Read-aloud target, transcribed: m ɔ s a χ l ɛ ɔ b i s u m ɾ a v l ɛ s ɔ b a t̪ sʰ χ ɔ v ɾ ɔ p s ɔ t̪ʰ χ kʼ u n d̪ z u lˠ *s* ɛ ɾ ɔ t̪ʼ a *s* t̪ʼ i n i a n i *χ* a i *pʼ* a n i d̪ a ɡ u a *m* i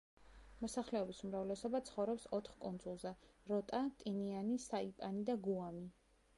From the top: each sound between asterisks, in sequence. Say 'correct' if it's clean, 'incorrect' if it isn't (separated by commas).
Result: incorrect, incorrect, incorrect, correct, correct